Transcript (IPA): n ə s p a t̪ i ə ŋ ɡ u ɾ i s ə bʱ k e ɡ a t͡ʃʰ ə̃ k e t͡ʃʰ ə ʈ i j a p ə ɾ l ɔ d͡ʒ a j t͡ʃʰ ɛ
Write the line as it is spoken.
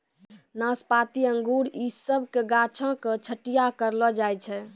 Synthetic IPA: n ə s p a t̪ i ə ŋ ɡ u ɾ i s ə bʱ k e ɡ a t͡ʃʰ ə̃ k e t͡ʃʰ ə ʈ i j a k ə ɾ l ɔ d͡ʒ a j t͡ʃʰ ɛ

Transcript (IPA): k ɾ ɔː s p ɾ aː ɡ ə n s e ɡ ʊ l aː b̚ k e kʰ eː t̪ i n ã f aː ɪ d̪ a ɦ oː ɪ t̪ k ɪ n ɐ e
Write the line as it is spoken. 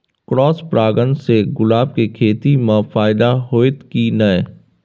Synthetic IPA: k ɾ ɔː s p ɾ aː ɡ ə n s e ɡ ʊ l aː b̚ k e kʰ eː t̪ i m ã f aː ɪ d̪ a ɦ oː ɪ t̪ k i n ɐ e

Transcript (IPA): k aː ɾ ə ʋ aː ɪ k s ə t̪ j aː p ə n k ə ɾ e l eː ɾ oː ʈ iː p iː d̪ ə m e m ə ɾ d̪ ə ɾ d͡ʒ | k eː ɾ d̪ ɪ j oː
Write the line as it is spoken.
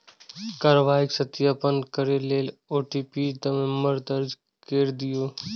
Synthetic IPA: k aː ɾ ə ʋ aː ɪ k s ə t̪ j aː p ə n k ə ɾ e l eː l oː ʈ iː p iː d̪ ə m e m ə ɾ d̪ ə ɾ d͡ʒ | k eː ɾ d̪ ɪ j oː

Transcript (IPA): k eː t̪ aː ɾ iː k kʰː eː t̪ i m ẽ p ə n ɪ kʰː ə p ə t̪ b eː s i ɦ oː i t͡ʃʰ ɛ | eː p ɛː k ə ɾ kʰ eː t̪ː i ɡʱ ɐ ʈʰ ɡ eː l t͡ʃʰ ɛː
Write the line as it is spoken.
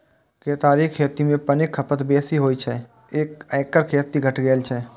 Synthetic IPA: k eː t̪ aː ɾ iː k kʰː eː t̪ i m ẽ p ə n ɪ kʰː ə p ə t̪ b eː s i ɦ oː i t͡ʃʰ ɛ | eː k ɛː k ə ɾ kʰ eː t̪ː i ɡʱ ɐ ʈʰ ɡ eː l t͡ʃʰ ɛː

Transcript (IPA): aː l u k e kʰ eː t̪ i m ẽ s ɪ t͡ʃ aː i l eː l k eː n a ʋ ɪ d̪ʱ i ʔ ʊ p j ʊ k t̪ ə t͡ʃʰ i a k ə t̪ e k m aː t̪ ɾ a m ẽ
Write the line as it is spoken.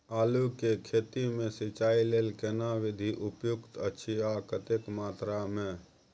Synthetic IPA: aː l u k e kʰ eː t̪ i m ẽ s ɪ t͡ʃ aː i l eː l k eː n a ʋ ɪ d̪ʱ i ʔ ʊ p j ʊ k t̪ ə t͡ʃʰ i a k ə t̪ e k m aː t̪ ɾ a m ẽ

